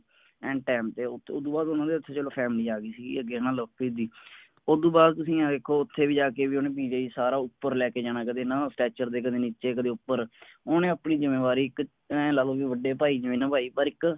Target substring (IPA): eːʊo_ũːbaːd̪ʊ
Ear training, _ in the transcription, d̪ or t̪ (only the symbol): d̪